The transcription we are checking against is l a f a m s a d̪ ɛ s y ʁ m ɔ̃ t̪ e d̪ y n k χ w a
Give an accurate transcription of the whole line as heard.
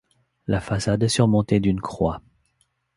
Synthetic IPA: l a f a s a d̪ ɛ s y ʁ m ɔ̃ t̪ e d̪ y n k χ w a

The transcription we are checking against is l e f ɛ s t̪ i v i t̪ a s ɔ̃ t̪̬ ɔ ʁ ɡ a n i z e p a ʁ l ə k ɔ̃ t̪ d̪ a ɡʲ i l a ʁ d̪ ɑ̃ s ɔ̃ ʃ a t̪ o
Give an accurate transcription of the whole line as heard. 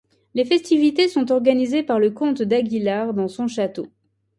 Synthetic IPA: l e f ɛ s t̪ i v i t̪ e s ɔ̃ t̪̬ ɔ ʁ ɡ a n i z e p a ʁ l ə k ɔ̃ t̪ d̪ a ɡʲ i l a ʁ d̪ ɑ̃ s ɔ̃ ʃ a t̪ o

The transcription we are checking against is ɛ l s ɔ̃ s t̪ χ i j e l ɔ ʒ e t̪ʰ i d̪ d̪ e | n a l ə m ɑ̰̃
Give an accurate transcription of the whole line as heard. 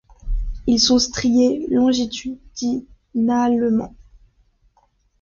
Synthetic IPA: i l s ɔ̃ s t̪ χ i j e l ɔ̃ ʒ i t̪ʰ y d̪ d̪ i | n a l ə m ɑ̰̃

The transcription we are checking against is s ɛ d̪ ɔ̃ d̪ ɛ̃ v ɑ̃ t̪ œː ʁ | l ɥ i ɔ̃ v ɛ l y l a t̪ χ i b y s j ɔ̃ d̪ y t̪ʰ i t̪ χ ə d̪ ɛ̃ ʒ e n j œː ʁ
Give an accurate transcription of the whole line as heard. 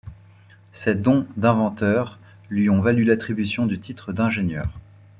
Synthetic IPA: s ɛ d̪ ɔ̃ d̪ ɛ̃ v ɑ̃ t̪ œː ʁ | l ɥ i ɔ̃ v a l y l a t̪ χ i b y s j ɔ̃ d̪ y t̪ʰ i t̪ χ ə d̪ ɛ̃ ʒ e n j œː ʁ

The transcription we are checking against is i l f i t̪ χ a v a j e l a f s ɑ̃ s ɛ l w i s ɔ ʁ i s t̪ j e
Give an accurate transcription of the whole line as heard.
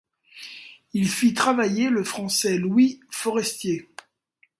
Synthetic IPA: i l f i t̪ χ a v a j e l ə f χ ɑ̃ s ɛ l w i f ɔ ʁ ɛ s t̪ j e

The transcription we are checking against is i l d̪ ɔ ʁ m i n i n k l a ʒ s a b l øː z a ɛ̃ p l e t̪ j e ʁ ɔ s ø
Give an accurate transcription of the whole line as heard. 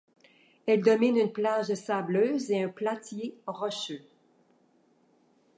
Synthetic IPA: ɛ l d̪ ɔ m i n y n p l a ʒ s a b l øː z e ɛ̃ p l a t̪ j e ʁ ɔ ʃ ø

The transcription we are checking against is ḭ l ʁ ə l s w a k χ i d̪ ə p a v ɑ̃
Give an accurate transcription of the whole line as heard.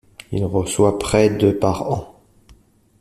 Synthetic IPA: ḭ l ʁ ə s w a p χ ɛ d̪ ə p a ʁ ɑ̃

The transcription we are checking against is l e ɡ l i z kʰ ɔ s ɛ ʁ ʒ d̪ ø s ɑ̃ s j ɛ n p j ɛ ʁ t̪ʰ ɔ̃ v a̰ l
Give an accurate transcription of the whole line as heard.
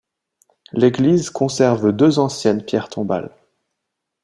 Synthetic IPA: l e ɡ l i z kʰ ɔ̃ s ɛ ʁ v d̪ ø z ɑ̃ s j ɛ n p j ɛ ʁ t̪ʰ ɔ̃ b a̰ l

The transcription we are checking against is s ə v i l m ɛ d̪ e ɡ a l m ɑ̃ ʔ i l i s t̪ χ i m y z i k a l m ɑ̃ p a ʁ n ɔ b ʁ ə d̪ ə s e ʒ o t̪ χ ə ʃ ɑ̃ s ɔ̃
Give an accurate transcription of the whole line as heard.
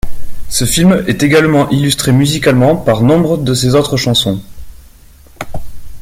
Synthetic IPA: s ə f i l m ɛ t̪ e ɡ a l m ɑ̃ ʔ i l y s t̪ χ e m y z i k a l m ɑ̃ p a ʁ n ɔ̃ b ʁ ə d̪ ə s e z o t̪ χ ə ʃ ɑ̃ s ɔ̃

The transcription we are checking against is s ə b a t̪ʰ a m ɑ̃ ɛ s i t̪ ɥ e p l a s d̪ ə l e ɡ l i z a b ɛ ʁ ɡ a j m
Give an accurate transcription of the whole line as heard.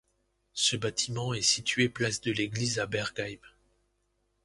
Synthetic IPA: s ə b a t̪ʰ i m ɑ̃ ɛ s i t̪ ɥ e p l a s d̪ ə l e ɡ l i z a b ɛ ʁ ɡ a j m

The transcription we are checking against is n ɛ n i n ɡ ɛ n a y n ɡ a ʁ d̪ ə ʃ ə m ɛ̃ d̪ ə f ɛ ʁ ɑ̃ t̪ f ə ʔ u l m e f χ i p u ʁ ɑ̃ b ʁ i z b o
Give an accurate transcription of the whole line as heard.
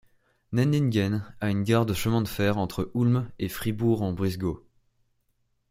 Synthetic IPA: n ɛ n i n ɡ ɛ n a y n ɡ a ʁ d̪ ə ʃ ə m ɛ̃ d̪ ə f ɛ ʁ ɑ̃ t̪ χ ə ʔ u l m e f χ i b u ʁ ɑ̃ b ʁ i z ɡ o

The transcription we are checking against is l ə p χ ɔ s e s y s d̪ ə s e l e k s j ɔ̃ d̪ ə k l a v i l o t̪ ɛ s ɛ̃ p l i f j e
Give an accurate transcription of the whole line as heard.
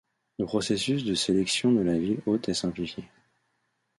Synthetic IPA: l ə p χ ɔ s e s y s d̪ ə s e l ɛ k s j ɔ̃ d̪ ə l a v i l o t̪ ɛ s ɛ̃ p l i f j e

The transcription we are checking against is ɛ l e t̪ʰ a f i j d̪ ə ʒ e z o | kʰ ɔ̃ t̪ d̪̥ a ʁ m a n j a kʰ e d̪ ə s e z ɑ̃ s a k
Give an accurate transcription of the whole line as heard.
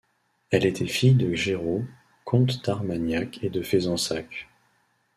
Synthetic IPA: ɛ l e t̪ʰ ɛ f i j d̪ ə ʒ e ʁ o | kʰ ɔ̃ t̪ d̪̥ a ʁ m a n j a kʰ e d̪ ə f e z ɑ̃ s a k

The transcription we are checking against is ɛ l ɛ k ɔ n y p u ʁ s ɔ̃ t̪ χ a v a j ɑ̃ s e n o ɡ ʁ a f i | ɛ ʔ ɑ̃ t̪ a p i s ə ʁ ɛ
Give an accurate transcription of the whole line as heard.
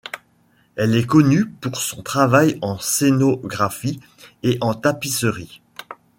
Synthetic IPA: ɛ l ɛ k ɔ n y p u ʁ s ɔ̃ t̪ χ a v a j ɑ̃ s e n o ɡ ʁ a f i | e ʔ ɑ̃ t̪ a p i s ə ʁ i

